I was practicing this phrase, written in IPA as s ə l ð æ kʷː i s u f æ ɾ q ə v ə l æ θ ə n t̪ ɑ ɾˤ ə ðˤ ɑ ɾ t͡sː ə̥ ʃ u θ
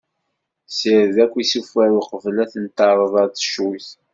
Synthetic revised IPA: s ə ɾ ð æ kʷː i s u f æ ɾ q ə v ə l æ θ ə n t̪ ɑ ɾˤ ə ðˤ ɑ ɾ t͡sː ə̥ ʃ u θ